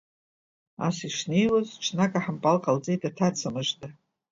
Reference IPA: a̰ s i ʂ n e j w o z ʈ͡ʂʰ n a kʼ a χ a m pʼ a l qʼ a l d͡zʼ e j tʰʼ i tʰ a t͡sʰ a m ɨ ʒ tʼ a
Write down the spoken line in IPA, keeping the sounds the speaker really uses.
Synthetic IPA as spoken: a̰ s i ʂ n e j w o z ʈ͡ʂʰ n a kʼ a ħ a m pʼ a l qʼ a l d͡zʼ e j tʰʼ a tʰ a t͡sʰ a m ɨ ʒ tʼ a